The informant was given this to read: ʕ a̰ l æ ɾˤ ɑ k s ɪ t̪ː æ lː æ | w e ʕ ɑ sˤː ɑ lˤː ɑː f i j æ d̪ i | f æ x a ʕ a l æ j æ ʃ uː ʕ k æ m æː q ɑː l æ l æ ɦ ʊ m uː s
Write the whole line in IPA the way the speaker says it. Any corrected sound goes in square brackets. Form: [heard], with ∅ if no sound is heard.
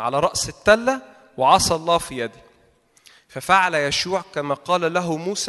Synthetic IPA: ʕ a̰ l æ ɾˤ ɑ [ʔ] s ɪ t̪ː æ lː æ | w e ʕ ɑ [sˤ] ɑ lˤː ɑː f i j æ d̪ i | f æ [f] a ʕ a l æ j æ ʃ uː ʕ k æ m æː q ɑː l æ l æ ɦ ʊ m uː s